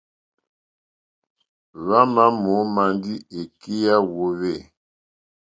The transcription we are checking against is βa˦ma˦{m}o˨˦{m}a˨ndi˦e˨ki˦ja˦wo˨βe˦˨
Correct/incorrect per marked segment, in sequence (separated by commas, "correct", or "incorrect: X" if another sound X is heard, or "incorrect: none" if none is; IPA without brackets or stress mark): correct, correct